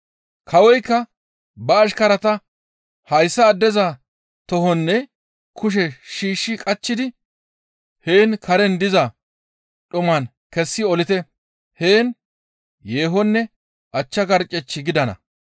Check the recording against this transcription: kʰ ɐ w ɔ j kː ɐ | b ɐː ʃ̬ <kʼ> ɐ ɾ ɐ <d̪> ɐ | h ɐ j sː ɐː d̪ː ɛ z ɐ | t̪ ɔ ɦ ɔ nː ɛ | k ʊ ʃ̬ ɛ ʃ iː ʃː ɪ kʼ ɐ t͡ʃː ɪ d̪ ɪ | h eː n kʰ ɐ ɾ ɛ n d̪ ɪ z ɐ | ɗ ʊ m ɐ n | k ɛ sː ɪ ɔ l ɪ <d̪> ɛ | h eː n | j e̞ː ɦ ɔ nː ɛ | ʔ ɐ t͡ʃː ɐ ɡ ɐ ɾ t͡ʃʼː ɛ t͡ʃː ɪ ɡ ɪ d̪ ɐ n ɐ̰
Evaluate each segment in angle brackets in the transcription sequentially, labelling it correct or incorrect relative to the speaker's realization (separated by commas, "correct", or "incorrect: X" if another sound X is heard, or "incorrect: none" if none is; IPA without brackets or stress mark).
incorrect: k, incorrect: t̪, incorrect: t̪